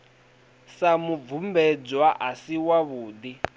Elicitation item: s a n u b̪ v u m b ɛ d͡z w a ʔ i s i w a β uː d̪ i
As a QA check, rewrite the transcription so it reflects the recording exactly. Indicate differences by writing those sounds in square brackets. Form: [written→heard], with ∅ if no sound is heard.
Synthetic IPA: s a [n→m] u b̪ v u m b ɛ d͡z w a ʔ [i→a] s i w a β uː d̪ i